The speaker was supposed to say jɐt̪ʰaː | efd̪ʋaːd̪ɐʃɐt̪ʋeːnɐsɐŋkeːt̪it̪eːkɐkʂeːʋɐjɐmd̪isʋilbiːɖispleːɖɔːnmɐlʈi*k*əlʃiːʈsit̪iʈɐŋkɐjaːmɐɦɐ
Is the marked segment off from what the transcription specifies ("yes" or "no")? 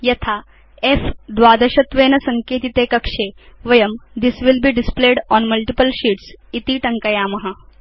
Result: yes